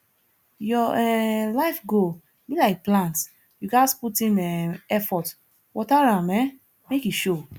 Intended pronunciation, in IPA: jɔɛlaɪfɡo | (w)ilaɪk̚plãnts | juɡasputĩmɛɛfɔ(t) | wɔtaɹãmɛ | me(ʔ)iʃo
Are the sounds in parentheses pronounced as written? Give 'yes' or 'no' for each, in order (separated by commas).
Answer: no, yes, no